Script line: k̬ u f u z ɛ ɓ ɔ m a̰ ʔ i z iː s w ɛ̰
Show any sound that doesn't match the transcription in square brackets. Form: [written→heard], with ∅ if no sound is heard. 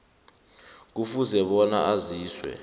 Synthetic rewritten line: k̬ u f u z ɛ ɓ ɔ [m→n] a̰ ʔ [i→a] z iː s w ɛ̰